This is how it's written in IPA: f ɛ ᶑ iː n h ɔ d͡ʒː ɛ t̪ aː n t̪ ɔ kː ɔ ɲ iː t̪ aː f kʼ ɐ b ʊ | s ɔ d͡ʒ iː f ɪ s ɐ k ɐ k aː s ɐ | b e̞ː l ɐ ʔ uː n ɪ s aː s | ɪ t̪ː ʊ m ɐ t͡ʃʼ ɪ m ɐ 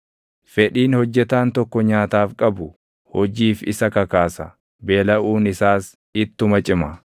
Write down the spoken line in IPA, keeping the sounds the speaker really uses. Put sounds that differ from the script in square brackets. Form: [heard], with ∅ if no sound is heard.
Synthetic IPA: f ɛ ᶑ iː n h ɔ d͡ʒː ɛ t̪ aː n t̪ ɔ kː ɔ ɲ [aː] t̪ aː f kʼ ɐ b ʊ | [h] ɔ d͡ʒ iː f ɪ s ɐ k ɐ k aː s ɐ | b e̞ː l ɐ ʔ uː n ɪ s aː s | ɪ t̪ː ʊ m ɐ t͡ʃʼ ɪ m ɐ

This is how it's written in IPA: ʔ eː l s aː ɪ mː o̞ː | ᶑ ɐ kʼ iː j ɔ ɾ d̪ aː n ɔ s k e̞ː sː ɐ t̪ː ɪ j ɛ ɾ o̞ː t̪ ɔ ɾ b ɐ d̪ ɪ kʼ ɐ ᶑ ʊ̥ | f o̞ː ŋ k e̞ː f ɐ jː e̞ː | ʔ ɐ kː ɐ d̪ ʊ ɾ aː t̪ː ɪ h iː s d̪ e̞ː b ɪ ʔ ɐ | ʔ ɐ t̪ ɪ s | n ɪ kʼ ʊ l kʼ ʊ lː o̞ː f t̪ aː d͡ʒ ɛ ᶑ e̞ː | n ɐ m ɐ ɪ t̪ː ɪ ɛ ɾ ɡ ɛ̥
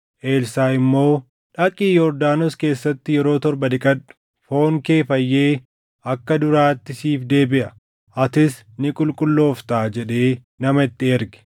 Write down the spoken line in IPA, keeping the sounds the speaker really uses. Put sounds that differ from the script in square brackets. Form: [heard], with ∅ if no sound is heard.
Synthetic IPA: ʔ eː l s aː ɪ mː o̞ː | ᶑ ɐ kʼ iː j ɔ ɾ d̪ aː n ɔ s k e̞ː sː ɐ t̪ː ɪ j ɛ ɾ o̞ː t̪ ɔ ɾ b ɐ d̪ ɪ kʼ ɐ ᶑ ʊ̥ | f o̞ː ŋ k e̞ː f ɐ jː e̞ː | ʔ ɐ kː ɐ d̪ ʊ ɾ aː t̪ː ɪ [s] iː [f] d̪ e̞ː b ɪ ʔ ɐ | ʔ ɐ t̪ ɪ s | n ɪ kʼ ʊ l kʼ ʊ lː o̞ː f t̪ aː d͡ʒ ɛ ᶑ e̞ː | n ɐ m ɐ ɪ t̪ː ɪ ɛ ɾ ɡ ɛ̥

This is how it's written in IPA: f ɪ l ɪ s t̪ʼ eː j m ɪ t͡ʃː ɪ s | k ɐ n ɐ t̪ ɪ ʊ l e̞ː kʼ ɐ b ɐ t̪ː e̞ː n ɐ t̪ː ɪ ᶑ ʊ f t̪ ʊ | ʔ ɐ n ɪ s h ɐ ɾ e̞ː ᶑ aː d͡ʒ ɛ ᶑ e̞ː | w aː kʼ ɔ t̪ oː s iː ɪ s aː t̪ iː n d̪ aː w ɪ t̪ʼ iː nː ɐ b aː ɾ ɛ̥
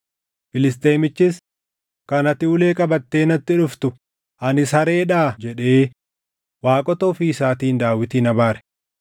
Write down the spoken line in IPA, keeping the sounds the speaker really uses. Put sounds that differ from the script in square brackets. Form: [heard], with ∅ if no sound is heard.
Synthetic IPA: f ɪ l ɪ s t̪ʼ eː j m ɪ t͡ʃː ɪ s | k ɐ n ɐ t̪ ɪ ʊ l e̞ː kʼ ɐ b ɐ t̪ː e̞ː n ɐ t̪ː ɪ ᶑ ʊ f t̪ ʊ | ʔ ɐ n ɪ s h ɐ ɾ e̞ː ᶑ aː d͡ʒ ɛ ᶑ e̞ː | w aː kʼ ɔ t̪ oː [f] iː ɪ s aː t̪ iː n d̪ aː w ɪ [t̪] iː [n] ɐ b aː ɾ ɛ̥

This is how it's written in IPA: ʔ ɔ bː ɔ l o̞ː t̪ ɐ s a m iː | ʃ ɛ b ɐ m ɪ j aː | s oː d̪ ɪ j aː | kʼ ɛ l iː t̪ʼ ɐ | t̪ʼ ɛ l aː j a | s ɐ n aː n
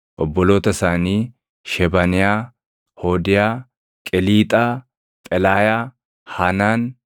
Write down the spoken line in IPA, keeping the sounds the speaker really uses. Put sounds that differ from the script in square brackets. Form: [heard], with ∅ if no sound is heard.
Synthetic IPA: ʔ ɔ bː ɔ l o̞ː t̪ ɐ s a [n] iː | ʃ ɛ b ɐ [n] ɪ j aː | [h] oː d̪ ɪ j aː | kʼ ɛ l iː t̪ʼ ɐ | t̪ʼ ɛ l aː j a | [h] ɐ n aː n

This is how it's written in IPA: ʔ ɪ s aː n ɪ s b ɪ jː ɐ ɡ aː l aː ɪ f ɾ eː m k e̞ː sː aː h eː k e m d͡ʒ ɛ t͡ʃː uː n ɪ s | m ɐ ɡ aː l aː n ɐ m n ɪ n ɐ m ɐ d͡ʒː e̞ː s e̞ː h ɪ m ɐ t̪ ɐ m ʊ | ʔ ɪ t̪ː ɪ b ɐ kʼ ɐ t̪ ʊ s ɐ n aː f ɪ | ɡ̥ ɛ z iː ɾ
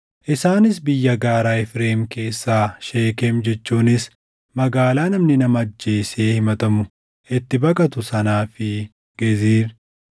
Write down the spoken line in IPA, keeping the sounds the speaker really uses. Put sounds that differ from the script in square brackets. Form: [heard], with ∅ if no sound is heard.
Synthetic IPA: ʔ ɪ s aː n ɪ s b ɪ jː ɐ ɡ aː [ɾ] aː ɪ f ɾ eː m k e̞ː sː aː [ʃ] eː k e m d͡ʒ ɛ t͡ʃː uː n ɪ s | m ɐ ɡ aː l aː n ɐ m n ɪ n ɐ m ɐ d͡ʒː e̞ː s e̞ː h ɪ m ɐ t̪ ɐ m ʊ | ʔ ɪ t̪ː ɪ b ɐ kʼ ɐ t̪ ʊ s ɐ n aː f ɪ | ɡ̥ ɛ z iː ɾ

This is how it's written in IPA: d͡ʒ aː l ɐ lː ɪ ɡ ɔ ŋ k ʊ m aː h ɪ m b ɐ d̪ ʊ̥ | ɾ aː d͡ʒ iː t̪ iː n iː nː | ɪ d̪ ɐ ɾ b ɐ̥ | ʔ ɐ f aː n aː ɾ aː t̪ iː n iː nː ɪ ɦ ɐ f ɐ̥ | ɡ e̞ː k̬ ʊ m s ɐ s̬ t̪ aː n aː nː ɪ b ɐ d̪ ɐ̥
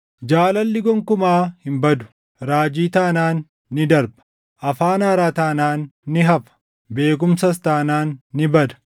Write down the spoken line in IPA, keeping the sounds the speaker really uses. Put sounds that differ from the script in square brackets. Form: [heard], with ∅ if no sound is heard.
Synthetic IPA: d͡ʒ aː l ɐ lː ɪ ɡ ɔ ŋ k ʊ m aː h ɪ m b ɐ d̪ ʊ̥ | ɾ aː d͡ʒ iː t̪ [aː] n [aː] nː | ɪ d̪ ɐ ɾ b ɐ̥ | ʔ ɐ f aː n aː ɾ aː t̪ [aː] n [aː] nː ɪ ɦ ɐ f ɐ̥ | [b] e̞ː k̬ ʊ m s ɐ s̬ t̪ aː n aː nː ɪ b ɐ d̪ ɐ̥

